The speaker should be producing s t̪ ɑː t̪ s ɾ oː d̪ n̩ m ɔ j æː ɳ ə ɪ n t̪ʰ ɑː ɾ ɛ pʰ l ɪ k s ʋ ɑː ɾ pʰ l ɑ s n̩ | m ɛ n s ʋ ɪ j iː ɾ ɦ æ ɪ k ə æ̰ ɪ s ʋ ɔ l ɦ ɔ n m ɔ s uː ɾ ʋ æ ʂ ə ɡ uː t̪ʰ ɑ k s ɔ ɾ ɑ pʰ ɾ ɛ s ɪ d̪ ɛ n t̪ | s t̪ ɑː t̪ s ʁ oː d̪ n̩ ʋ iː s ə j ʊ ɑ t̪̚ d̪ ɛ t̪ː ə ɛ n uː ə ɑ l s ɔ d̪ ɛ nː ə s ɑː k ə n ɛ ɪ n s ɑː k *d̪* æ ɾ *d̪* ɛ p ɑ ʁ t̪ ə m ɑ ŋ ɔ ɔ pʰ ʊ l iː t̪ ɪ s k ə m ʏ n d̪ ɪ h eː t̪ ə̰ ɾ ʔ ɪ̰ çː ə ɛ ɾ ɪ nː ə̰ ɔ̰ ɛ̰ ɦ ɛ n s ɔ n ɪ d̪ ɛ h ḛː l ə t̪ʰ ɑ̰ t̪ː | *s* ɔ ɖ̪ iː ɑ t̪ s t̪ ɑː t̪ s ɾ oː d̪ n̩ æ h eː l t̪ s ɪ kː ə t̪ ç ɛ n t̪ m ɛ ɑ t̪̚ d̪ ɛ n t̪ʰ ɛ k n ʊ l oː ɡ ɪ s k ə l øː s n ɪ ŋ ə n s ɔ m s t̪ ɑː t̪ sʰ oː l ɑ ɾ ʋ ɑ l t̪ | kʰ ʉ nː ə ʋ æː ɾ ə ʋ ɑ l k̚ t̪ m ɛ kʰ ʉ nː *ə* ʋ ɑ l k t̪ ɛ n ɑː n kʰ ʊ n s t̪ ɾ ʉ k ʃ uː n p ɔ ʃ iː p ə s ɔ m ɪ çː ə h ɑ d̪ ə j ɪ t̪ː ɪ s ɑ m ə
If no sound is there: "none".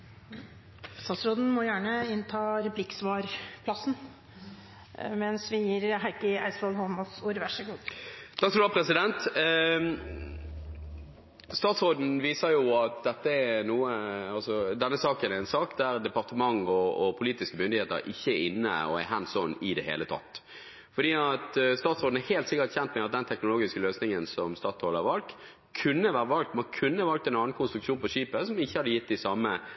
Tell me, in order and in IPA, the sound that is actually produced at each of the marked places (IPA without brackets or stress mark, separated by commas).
d̪, d̪, f, ə